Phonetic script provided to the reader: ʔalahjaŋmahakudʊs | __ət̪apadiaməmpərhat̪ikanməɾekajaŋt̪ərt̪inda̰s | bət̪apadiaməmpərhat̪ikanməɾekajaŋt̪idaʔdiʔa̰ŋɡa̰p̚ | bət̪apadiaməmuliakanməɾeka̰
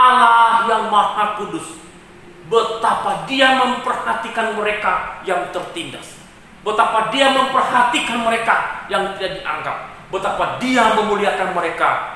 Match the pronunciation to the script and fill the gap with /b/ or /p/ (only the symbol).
b